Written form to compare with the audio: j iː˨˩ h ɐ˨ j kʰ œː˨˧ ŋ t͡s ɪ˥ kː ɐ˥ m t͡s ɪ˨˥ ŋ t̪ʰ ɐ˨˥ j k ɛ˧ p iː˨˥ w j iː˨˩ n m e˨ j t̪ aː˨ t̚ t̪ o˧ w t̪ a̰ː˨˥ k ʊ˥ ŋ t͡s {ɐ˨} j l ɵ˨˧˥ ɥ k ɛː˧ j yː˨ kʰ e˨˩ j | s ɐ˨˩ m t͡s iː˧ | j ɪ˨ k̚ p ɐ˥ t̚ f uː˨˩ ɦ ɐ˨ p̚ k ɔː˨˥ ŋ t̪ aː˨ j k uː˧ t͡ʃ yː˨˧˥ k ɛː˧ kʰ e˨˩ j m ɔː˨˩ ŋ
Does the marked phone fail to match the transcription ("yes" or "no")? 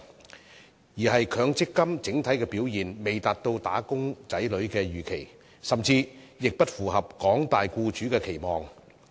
yes